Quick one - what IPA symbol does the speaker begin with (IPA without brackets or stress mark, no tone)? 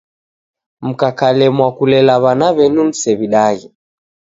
m̩